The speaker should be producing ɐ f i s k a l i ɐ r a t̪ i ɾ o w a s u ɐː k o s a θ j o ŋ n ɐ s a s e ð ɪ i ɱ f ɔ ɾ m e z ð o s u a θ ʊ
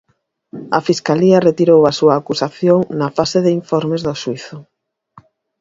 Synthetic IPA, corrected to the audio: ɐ f i s k a l i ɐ r e t̪ i ɾ o w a s u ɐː k u s a θ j o ŋ n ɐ f a s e ð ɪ i ɱ f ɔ ɾ m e z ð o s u i θ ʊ